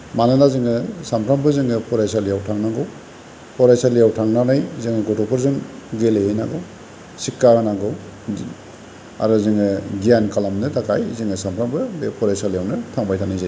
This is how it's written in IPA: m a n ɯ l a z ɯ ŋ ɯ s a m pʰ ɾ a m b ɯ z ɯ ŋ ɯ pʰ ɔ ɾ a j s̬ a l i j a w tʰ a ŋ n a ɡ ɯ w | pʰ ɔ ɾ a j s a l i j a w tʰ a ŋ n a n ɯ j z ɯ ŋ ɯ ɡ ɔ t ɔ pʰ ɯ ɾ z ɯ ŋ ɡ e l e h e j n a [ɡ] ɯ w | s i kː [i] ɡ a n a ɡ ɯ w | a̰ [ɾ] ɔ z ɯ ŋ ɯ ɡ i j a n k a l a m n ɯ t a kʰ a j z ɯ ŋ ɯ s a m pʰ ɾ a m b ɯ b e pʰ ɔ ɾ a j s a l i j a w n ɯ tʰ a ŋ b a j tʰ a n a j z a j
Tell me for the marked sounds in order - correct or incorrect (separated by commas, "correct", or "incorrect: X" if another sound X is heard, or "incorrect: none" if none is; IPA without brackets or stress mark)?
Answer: correct, incorrect: a, correct